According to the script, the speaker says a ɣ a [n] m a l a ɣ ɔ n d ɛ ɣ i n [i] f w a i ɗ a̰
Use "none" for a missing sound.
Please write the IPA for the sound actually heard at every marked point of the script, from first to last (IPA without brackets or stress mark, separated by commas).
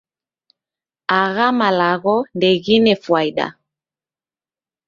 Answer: none, ɛ